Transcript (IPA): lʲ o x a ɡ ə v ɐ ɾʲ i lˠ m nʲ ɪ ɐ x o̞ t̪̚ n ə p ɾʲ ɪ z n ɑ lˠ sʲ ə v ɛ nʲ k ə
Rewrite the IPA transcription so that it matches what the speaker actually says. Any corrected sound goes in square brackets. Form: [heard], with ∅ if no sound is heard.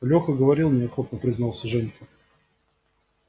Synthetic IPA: lʲ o x [ə] ɡ ə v ɐ ɾʲ i lˠ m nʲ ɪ ɐ x o̞ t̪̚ n ə p ɾʲ ɪ z n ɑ lˠ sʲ ə [ʐ] ɛ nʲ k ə